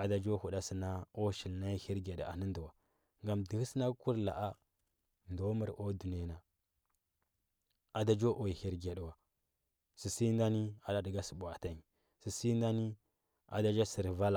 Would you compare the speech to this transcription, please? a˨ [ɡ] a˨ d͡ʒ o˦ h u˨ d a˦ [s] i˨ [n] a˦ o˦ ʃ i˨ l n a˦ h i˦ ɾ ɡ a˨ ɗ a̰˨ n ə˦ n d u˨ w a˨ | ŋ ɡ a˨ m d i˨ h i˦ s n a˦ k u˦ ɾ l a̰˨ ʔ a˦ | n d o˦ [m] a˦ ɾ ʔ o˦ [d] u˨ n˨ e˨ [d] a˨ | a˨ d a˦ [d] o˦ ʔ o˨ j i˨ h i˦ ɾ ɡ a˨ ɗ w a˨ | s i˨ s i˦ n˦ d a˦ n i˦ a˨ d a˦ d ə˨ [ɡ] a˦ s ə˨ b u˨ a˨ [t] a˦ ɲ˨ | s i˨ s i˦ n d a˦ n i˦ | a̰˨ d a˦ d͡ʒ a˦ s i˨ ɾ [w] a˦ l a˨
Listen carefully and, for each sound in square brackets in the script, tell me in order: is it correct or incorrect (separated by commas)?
incorrect, correct, correct, correct, correct, incorrect, incorrect, correct, correct, incorrect